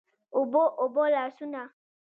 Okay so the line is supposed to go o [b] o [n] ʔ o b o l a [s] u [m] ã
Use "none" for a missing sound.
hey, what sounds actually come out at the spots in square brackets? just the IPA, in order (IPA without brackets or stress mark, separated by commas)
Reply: b, none, s, n